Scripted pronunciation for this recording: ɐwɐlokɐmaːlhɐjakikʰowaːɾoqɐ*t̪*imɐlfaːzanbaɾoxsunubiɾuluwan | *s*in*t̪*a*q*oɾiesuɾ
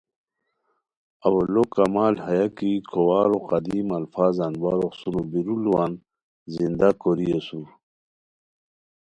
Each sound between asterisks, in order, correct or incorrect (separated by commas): incorrect, incorrect, incorrect, incorrect